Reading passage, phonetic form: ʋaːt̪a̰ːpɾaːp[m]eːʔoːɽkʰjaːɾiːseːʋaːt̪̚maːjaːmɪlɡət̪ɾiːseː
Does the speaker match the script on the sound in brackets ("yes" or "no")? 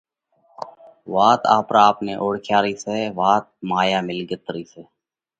no